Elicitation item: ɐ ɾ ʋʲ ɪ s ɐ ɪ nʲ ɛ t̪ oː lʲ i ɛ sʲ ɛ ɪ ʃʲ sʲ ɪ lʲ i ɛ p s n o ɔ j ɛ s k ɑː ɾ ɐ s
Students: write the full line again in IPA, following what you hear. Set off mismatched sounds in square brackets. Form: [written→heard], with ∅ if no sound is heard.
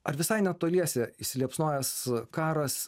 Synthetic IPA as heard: ɐ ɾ ʋʲ ɪ s ɐ ɪ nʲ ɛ t̪ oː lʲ i ɛ sʲ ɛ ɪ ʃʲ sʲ ɪ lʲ i ɛ p s n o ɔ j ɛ s k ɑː ɾ ɐ s